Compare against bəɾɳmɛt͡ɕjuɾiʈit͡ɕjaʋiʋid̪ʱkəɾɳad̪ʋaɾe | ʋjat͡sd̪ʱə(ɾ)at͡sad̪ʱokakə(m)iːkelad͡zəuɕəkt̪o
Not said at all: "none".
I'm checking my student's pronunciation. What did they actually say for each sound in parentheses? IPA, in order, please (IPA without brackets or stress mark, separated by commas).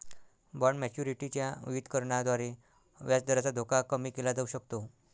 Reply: ɾ, m